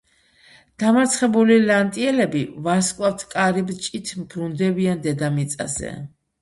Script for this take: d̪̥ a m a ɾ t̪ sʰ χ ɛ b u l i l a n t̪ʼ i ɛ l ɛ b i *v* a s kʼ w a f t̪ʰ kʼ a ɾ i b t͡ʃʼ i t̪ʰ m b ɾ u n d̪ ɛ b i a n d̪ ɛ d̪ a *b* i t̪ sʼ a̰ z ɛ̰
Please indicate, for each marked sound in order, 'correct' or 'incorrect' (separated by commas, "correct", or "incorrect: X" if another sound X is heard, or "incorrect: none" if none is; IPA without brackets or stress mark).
correct, incorrect: m